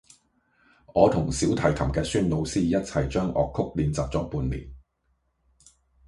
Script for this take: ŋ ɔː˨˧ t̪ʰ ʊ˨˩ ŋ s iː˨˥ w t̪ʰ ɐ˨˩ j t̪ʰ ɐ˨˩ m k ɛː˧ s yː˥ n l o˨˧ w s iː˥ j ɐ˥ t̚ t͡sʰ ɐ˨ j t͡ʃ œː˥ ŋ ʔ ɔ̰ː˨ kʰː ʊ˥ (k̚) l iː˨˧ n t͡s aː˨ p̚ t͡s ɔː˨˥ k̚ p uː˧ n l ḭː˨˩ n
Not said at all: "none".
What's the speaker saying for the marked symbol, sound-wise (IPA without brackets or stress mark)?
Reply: k̚